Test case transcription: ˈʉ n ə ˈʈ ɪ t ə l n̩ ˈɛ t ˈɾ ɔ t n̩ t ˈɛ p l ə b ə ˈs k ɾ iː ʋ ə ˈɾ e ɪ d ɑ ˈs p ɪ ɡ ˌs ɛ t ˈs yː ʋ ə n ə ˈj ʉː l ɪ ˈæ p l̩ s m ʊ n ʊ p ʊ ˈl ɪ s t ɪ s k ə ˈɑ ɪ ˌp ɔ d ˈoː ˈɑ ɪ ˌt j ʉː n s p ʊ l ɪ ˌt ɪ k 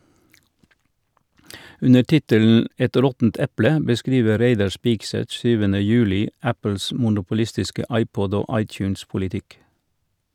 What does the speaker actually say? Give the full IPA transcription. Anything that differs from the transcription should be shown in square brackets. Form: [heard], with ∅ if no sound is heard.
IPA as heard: ˈʉ n ə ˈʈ ɪ t ə l n̩ ˈɛ t ˈɾ ɔ t n̩ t ˈɛ p l ə b ə ˈs k ɾ iː ʋ ə ˈɾ e ɪ d ɑ ˈs p ɪ ɡ ˌs ɛ t ˈs yː ʋ ə n ə ˈj ʉː l ɪ ˈæ p l̩ s m ʊ n ʊ p ʊ ˈl ɪ s t ɪ s k ə ˈɑ ɪ ˌp ɔ d ˈoː ˈɑ ɪ ˌt j ʉː n s p ʊ l ɪ ˌt ɪ k

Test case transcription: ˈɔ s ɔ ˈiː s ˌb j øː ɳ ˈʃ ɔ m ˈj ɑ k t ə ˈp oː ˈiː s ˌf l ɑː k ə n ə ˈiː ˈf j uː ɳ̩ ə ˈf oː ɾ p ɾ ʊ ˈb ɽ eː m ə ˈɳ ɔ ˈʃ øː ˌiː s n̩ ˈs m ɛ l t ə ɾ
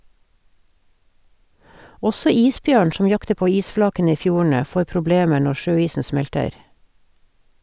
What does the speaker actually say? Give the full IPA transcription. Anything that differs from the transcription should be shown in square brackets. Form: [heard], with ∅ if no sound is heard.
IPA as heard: ˈɔ s ɔ ˈiː s ˌb j øː ɳ ˈʃ ɔ m ˈj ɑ k t ə ˈp oː ˈiː s ˌf l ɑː k ə n ə ˈiː ˈf j uː ɳ̩ ə ˈf oː ɾ p ɾ ʊ ˈb [l] eː m ə ˈɳ ɔ ˈʃ øː ˌiː s n̩ ˈs m ɛ l t ə ɾ

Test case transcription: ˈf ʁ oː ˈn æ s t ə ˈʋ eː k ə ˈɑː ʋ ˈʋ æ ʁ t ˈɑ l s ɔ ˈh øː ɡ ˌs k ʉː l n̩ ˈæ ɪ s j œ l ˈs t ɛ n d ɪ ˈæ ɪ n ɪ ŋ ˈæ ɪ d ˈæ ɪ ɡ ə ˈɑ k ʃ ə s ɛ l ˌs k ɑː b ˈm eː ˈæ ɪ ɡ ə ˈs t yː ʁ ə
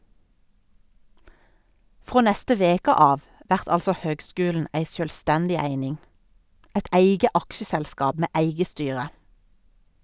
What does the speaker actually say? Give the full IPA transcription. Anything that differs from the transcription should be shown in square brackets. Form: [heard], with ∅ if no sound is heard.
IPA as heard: ˈf ʁ oː ˈn [ɛ] s t ə ˈʋ eː k ə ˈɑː ʋ ˈʋ æ ʁ t ˈɑ l s ɔ ˈh øː ɡ ˌs k ʉː l n̩ ˈæ ɪ s j œ l ˈs t ɛ n d ɪ ˈæ ɪ n ɪ ŋ ˈæ ɪ d ˈæ ɪ ɡ ə ˈɑ k ʃ ə s ɛ l ˌs k ɑː b ˈm eː ˈæ ɪ ɡ ə ˈs t yː ʁ ə

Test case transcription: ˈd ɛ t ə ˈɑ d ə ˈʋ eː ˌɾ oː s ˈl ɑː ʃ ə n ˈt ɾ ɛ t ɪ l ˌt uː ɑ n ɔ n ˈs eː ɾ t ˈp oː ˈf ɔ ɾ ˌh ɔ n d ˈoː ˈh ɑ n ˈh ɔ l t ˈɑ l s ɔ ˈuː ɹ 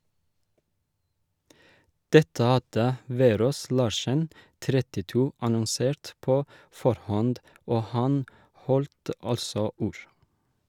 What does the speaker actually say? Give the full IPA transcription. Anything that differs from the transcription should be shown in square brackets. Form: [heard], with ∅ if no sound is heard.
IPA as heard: ˈd ɛ t ə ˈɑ d ə ˈʋ eː ˌɾ oː s ˈl ɑː ʃ ə n ˈt ɾ ɛ t ɪ [∅] ˌt uː ɑ n ɔ n ˈs eː ɾ t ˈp oː ˈf ɔ ɾ ˌh ɔ n d ˈoː ˈh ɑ n ˈh ɔ l t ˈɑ l s ɔ ˈuː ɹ

